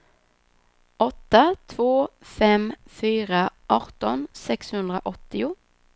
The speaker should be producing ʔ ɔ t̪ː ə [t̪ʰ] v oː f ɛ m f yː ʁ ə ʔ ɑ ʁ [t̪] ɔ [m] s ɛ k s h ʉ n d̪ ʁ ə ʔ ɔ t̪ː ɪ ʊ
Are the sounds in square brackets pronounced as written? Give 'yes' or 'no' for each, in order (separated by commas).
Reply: yes, yes, no